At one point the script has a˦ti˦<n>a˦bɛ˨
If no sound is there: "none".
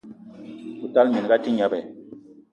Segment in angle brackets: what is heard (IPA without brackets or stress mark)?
ɲ